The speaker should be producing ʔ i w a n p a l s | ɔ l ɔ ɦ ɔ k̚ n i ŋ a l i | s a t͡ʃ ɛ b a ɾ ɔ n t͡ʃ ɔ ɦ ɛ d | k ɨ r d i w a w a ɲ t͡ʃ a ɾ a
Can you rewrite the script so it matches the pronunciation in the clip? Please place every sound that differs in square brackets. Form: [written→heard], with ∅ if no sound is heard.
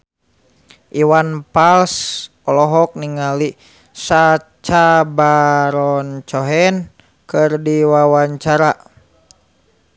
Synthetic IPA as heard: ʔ i w a n p a l s | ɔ l ɔ ɦ ɔ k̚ n i ŋ a l i | s a t͡ʃ [ɛ→a] b a ɾ ɔ n t͡ʃ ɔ ɦ ɛ [d→n] | k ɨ r d i w a w a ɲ t͡ʃ a ɾ a